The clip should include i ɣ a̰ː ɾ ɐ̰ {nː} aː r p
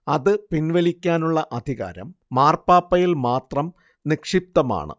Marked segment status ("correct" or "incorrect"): incorrect